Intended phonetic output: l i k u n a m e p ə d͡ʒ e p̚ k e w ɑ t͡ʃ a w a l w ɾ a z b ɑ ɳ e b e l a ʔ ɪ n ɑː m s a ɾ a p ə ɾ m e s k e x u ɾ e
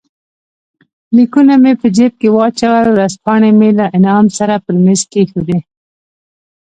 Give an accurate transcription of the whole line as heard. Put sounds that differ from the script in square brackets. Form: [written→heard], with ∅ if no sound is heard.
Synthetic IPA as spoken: l i k u n a m e p ə d͡ʒ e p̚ k e w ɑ t͡ʃ a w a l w ɾ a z [b→p] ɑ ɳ e [b→m] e l a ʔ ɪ n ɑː m s a ɾ a p ə ɾ m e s k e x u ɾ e

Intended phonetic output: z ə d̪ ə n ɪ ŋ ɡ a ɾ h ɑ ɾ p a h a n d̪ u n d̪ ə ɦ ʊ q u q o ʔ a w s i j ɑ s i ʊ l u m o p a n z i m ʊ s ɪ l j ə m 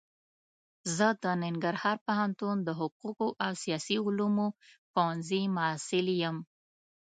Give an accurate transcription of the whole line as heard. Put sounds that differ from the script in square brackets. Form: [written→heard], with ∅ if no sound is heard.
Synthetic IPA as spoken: z ə d̪ ə n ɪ ŋ ɡ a ɾ h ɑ ɾ p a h a n [d̪→t̪] u n d̪ ə ɦ ʊ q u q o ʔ a w s i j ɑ s i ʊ l u m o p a n z i m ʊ s ɪ l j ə m

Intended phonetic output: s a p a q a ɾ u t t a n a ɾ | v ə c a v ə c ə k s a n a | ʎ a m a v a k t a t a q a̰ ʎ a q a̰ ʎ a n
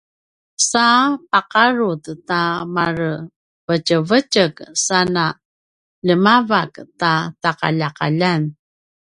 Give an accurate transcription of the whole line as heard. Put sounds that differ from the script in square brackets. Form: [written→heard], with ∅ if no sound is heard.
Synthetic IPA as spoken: s a p a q a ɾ u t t a [n→m] a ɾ | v ə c [a→ə] v ə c ə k s a n a | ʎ [a→ə] m a v a k t a t a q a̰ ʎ a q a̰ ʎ a n

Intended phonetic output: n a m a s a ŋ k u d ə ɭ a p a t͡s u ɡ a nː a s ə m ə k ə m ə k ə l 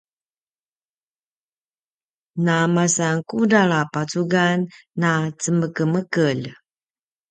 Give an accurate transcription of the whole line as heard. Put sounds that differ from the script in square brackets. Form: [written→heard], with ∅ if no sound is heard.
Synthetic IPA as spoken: n a m a s a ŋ k u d [ə→a] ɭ a p a t͡s u ɡ a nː a [s→t͡s] ə m ə k ə m ə k ə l

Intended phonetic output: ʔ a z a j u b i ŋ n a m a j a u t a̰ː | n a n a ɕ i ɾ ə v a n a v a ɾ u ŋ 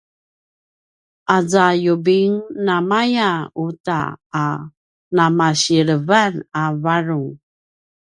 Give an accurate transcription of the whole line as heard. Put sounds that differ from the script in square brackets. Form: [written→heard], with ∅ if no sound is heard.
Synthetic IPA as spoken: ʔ a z a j u b i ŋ n a m a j a u t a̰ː | n a [n→m] a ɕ i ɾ ə v a n a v a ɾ u ŋ

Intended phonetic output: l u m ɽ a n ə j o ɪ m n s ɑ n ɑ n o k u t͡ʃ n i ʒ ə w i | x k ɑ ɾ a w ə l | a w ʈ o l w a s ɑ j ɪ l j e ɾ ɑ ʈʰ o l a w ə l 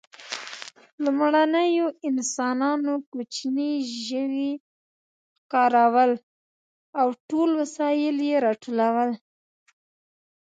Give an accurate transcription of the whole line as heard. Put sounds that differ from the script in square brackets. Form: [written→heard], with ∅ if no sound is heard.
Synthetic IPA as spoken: l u m ɽ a n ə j o ɪ [m→∅] n s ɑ n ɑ n o k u t͡ʃ n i ʒ ə w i | x k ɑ ɾ a w ə l | a w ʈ o l w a s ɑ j ɪ l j e ɾ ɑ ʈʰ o l a w ə l

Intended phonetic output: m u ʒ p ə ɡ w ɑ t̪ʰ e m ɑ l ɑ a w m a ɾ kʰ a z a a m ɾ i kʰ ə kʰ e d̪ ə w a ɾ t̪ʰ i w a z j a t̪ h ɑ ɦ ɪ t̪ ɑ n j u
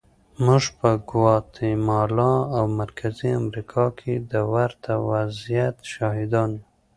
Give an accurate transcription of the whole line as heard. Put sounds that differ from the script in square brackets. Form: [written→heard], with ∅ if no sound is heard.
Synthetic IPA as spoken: m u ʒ p ə ɡ w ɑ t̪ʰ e m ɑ l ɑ a w m a ɾ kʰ a z [a→i] a m ɾ i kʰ [ə→ɑ] kʰ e d̪ ə w a ɾ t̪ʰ [i→a] w a z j a t̪ [h→ʃ] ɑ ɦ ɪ [t̪→d̪] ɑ n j u

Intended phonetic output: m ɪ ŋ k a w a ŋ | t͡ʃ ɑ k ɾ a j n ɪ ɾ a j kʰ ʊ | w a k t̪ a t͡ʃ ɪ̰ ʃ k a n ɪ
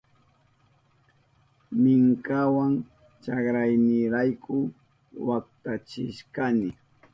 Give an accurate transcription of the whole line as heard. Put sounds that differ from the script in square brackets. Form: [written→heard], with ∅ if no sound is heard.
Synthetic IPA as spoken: m ɪ ŋ k a w a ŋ | t͡ʃ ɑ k ɾ a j n ɪ ɾ a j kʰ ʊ | w a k t̪ a t͡ʃ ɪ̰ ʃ k a n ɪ

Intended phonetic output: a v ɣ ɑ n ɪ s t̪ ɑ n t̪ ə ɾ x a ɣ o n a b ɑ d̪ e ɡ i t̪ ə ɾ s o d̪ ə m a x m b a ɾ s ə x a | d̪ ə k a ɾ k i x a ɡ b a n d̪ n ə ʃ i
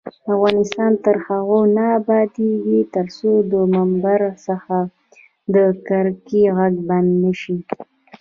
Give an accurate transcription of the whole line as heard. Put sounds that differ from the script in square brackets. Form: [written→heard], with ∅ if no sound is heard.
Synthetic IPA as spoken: a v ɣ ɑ n ɪ s t̪ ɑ n t̪ ə ɾ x a ɣ o n a b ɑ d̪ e ɡ i t̪ ə ɾ s o d̪ ə m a [x→∅] m b a ɾ s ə x a | d̪ ə k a ɾ k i [x→ɣ] a ɡ b a n d̪ n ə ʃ i

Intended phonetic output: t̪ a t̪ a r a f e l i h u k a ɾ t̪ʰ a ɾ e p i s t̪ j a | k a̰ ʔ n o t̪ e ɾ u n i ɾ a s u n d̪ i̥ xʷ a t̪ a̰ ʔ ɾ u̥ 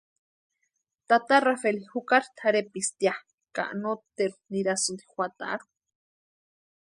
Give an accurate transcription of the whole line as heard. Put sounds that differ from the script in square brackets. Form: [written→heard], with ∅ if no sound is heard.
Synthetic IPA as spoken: t̪ a t̪ a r a f e l i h u k a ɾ t̪ʰ a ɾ e p i s t̪ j a | k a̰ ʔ n o t̪ e ɾ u n i ɾ a s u n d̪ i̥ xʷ a t̪ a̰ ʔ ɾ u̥

